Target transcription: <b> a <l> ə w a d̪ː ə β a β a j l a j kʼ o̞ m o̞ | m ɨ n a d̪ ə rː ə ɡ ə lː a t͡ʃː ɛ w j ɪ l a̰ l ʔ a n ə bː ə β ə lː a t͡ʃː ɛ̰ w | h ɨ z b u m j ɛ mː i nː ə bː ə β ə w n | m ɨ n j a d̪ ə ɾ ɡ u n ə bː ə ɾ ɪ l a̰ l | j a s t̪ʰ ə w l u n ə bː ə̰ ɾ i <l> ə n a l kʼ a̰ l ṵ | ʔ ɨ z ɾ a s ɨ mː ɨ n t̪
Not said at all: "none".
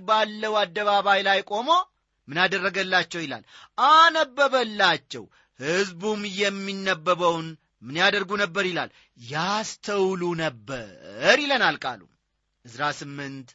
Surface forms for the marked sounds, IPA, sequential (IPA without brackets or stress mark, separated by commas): b, lː, l